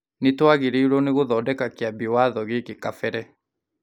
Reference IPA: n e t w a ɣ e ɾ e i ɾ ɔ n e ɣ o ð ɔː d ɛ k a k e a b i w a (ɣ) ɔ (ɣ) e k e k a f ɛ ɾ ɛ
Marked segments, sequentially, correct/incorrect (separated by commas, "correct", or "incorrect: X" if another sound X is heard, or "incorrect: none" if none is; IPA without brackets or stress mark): incorrect: ð, correct